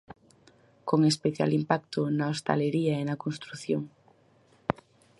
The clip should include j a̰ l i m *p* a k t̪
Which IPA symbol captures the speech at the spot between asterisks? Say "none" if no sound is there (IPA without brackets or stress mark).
p